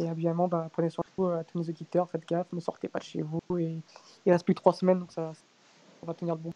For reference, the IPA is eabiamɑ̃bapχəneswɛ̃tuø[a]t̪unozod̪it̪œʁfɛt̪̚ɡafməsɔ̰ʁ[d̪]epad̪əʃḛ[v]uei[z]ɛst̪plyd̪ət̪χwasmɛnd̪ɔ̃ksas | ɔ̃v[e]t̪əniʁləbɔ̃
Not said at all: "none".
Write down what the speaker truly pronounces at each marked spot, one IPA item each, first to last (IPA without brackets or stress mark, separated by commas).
a, t̪, v, ʁ, a